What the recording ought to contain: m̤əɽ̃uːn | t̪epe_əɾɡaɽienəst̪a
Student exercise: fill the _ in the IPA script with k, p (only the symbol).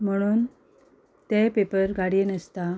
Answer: p